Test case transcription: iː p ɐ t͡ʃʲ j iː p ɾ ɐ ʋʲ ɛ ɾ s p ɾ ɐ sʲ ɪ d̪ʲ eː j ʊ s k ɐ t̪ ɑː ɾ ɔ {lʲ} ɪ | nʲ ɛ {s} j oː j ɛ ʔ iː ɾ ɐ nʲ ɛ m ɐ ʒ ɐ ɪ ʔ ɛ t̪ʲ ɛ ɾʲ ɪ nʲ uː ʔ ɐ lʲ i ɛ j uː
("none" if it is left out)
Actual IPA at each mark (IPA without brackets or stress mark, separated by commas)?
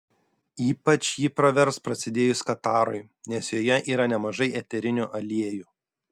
none, s